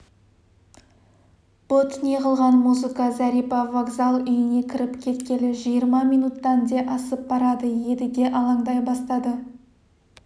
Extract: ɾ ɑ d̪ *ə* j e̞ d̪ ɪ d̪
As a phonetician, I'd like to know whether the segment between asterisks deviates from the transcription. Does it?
no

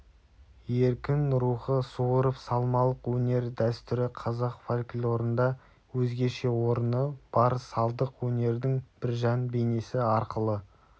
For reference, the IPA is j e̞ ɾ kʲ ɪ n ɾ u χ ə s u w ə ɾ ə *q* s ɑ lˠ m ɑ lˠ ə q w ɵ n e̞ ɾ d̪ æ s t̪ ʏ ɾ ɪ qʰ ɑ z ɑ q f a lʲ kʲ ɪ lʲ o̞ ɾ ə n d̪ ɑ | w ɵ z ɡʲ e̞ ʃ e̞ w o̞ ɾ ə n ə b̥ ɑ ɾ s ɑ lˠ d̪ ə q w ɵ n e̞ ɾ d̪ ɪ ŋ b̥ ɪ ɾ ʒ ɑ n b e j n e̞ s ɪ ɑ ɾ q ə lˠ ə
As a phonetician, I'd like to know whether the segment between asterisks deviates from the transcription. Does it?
yes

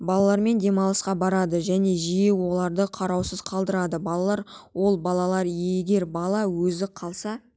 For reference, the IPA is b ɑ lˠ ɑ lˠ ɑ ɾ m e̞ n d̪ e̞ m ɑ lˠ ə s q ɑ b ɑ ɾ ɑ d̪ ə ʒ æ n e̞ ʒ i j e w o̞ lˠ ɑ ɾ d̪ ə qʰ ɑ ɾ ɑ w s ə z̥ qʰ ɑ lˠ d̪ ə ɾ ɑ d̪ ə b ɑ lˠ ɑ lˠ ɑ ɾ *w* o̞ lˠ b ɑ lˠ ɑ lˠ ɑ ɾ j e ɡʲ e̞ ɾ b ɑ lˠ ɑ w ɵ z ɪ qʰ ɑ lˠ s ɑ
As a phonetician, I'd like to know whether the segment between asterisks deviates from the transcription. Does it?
no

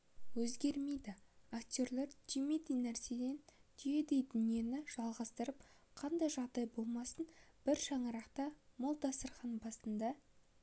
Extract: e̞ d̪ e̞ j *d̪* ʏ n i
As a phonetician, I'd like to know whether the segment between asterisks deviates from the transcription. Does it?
no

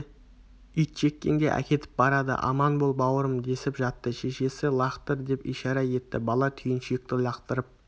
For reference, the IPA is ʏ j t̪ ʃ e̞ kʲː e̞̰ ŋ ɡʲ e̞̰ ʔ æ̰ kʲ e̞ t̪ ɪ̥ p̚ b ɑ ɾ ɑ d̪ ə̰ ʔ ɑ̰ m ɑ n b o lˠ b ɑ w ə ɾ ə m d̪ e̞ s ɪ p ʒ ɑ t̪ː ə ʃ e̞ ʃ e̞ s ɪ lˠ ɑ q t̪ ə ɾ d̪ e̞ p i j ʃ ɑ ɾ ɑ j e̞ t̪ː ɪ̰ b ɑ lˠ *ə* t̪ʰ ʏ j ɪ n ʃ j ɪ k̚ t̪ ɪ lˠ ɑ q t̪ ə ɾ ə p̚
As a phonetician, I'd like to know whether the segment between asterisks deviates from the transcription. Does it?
yes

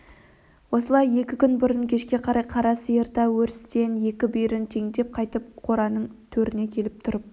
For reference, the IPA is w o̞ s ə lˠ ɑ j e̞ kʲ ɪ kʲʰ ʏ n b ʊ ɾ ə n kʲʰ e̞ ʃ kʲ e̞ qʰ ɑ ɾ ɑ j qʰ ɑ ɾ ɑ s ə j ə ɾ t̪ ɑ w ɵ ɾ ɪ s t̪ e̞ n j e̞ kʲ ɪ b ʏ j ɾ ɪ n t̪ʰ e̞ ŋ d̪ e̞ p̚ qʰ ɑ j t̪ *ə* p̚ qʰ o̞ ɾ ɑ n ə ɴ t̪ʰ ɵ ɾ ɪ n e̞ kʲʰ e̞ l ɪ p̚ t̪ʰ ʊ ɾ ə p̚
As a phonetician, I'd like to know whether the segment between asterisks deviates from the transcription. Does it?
no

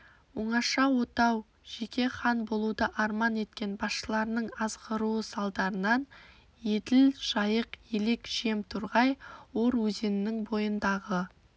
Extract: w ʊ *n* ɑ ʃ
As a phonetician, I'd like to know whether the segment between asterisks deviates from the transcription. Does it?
yes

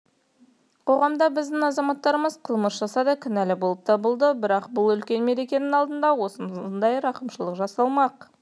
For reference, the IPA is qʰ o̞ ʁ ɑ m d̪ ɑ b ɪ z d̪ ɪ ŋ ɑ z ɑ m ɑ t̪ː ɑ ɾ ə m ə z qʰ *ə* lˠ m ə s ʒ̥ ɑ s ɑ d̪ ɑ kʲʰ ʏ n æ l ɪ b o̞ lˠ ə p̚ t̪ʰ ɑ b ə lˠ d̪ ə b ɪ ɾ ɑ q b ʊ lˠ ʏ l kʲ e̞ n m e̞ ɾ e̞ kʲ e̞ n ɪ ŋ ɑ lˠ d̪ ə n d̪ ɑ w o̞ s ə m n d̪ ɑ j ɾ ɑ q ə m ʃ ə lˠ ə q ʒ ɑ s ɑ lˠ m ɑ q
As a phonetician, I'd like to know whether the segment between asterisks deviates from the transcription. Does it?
no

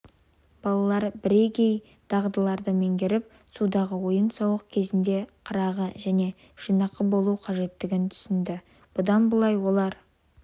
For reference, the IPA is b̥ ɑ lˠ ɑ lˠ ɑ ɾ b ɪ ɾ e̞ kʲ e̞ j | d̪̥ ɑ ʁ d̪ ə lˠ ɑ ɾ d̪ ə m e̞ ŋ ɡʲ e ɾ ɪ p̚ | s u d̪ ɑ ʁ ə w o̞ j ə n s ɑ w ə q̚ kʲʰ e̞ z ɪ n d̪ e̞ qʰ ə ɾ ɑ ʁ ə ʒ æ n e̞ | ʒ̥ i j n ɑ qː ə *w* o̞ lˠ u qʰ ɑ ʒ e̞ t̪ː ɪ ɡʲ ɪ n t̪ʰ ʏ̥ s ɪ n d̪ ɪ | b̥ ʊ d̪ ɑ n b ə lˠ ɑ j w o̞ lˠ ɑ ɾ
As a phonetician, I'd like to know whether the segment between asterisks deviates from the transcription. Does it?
yes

